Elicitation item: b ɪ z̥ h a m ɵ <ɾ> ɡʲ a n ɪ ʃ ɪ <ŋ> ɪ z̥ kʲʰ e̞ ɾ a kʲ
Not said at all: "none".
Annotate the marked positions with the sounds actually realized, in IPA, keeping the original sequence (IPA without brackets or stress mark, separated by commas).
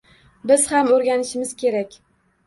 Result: ɾ, m